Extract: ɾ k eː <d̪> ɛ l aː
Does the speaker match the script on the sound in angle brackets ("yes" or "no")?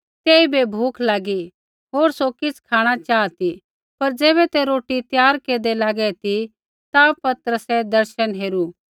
yes